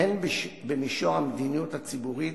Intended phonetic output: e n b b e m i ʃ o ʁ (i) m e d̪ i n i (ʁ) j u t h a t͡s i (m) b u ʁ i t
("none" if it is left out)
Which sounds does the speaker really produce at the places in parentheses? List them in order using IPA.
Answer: a, none, none

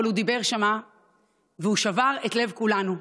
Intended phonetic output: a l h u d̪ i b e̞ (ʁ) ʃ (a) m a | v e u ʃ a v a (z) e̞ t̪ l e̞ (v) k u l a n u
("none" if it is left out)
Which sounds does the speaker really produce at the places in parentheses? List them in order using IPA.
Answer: ʁ, a, ʁ, v

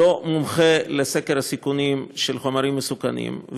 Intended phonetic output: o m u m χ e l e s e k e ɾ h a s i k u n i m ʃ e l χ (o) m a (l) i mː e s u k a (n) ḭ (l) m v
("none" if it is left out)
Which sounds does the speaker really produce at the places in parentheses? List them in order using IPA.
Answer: o, ɾ, n, none

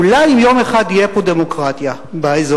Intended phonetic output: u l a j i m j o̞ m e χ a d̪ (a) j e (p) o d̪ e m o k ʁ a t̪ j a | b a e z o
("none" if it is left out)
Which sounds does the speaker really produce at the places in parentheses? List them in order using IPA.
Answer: i, p

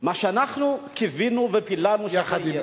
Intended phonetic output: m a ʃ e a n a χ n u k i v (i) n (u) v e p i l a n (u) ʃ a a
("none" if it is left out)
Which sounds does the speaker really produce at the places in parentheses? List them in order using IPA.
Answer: i, u, u

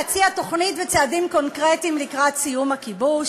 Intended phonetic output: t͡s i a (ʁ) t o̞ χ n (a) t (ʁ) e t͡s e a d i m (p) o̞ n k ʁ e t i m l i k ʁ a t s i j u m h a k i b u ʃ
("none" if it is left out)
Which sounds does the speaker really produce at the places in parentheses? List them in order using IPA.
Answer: none, i, v, k

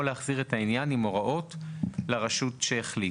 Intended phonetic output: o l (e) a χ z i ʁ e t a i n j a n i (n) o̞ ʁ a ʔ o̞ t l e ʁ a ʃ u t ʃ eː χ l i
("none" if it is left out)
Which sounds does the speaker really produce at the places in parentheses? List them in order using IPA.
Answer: e, m

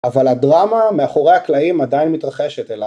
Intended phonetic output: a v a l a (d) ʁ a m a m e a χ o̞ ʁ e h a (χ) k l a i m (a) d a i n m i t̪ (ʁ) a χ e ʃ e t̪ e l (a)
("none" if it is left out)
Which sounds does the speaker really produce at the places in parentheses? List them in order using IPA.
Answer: d, none, a, ʁ, a

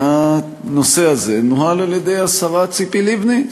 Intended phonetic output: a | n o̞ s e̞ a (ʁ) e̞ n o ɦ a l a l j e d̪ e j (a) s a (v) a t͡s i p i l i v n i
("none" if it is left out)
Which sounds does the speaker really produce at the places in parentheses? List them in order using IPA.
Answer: z, a, ʁ

